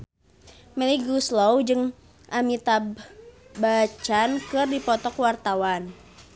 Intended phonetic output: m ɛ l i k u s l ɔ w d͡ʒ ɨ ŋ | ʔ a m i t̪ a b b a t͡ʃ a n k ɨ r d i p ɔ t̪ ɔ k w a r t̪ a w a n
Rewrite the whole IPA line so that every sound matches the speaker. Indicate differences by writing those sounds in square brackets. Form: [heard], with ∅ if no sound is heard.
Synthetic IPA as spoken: m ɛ l i [ɡ] u s l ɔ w d͡ʒ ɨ ŋ | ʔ a m i t̪ a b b a t͡ʃ a n k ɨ r d i p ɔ t̪ ɔ k w a r t̪ a w a n